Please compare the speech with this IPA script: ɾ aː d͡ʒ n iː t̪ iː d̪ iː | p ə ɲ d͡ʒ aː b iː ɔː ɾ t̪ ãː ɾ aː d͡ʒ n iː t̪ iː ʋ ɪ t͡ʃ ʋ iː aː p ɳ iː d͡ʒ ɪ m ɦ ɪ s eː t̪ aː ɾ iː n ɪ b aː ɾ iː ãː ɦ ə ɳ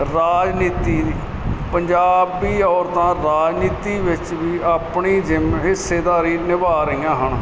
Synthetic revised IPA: ɾ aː d͡ʒ n iː t̪ iː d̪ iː | p ə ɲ d͡ʒ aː b iː ɔː ɾ t̪ ãː ɾ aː d͡ʒ n iː t̪ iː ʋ ɪ t͡ʃ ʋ iː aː p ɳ iː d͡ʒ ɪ m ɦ ɪ s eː d̪ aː ɾ iː n ɪ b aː ɾ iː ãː ɦ ə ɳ